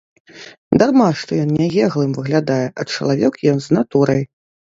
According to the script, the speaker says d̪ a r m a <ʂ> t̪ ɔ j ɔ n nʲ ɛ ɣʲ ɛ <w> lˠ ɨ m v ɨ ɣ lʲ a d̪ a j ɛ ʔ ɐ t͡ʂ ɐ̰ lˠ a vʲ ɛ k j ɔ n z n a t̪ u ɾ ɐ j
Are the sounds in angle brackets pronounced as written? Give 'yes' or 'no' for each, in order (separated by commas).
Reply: yes, no